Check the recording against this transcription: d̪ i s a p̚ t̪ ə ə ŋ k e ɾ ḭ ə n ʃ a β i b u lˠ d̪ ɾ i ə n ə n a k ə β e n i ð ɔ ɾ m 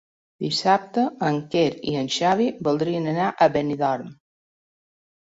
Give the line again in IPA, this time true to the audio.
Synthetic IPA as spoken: d̪ i s a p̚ t̪ ə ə ŋ k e ɾ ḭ ə n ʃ a β i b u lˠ d̪ ɾ i ə n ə n a ʔ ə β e n i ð ɔ ɾ m